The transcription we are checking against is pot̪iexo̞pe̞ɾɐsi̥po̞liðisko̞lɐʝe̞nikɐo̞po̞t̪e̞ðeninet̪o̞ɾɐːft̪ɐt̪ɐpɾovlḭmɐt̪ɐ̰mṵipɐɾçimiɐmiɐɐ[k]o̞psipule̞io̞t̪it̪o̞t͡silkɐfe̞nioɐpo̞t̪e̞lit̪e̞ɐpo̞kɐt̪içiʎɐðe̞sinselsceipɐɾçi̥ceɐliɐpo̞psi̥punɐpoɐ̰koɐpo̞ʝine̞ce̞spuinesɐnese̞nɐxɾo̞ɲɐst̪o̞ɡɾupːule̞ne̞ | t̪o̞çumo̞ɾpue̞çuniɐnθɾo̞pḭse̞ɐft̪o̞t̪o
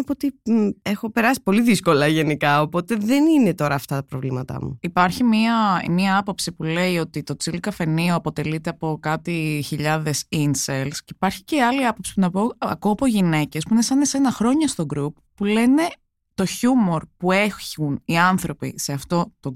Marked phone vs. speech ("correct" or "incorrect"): incorrect